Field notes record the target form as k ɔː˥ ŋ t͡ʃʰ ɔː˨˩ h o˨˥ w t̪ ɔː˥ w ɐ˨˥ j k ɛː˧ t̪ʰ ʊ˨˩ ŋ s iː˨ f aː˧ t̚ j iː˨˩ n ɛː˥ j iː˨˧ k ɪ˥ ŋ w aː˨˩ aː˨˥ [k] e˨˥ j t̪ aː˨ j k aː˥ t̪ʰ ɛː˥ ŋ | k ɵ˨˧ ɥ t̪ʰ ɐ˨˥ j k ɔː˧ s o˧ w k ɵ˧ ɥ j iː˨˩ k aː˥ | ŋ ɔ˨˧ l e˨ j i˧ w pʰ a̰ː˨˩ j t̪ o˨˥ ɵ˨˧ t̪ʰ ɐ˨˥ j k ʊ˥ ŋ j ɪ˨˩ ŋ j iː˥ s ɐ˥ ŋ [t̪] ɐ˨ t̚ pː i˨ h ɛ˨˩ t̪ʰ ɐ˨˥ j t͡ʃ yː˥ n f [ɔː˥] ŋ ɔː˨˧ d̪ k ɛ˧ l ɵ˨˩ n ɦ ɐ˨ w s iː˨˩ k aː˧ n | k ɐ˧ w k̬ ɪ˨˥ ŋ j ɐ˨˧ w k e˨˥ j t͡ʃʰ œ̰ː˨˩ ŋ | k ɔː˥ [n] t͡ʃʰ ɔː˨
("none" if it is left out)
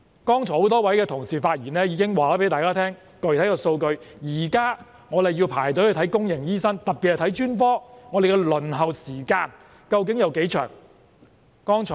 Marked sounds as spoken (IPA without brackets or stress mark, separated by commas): p, t̪, ɔː˥, ŋ